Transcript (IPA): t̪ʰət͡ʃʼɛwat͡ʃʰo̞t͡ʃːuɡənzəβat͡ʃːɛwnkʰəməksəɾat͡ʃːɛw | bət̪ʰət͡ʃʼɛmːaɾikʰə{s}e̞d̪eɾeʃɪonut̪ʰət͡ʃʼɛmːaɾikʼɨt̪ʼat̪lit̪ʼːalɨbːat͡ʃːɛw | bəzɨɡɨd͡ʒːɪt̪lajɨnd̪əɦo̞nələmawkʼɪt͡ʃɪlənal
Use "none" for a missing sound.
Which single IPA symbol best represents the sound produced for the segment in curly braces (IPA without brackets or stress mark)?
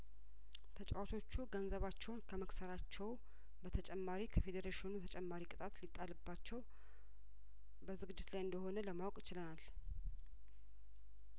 f